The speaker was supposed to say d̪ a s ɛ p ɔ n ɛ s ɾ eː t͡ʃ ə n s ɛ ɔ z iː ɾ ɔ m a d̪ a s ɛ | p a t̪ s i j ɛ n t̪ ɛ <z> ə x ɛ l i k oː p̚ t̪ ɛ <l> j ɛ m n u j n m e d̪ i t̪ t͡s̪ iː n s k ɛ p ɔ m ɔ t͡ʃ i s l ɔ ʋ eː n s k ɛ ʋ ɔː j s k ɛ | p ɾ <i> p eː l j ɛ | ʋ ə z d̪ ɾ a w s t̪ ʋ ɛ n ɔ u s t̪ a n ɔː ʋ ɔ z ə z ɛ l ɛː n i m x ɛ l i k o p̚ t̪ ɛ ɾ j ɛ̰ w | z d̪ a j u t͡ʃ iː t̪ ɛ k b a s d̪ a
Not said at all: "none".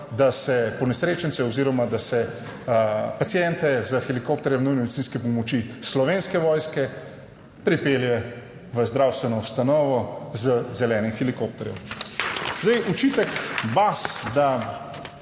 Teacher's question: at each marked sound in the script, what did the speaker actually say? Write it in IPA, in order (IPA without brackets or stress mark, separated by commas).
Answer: z, ɾ, i